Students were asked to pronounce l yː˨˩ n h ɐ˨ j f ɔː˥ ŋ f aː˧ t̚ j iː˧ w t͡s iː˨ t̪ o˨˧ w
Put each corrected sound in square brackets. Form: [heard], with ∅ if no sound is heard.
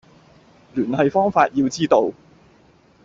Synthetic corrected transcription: l yː˨˩ n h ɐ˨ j f ɔː˥ ŋ f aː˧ t̚ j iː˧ w t͡s [iː˥] t̪ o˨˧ w